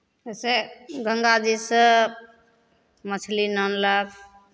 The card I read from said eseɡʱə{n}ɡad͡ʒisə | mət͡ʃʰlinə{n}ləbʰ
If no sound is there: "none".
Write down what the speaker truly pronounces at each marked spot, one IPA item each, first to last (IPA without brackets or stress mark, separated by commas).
ŋ, n